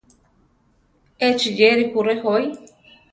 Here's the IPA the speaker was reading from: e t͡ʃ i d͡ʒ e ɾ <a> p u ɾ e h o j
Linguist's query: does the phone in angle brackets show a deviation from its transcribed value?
yes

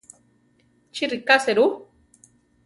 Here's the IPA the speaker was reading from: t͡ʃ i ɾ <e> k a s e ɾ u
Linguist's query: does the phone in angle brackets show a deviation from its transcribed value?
yes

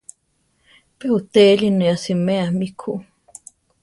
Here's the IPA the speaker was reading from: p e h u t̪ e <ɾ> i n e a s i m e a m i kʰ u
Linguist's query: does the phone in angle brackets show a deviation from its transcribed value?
yes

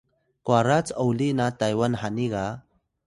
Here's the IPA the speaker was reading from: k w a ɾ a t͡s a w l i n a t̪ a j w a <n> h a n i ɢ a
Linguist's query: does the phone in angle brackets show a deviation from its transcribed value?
no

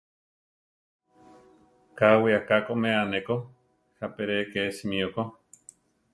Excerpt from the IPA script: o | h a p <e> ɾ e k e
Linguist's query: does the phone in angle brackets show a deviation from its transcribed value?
no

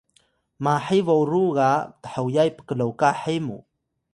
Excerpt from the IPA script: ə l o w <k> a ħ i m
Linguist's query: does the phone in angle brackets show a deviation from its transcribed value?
no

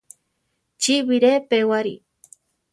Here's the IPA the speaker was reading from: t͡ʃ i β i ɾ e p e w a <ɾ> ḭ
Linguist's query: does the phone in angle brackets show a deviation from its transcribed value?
no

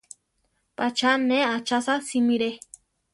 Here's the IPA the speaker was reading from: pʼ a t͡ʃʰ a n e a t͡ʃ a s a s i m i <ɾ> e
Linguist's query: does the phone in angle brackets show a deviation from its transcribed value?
no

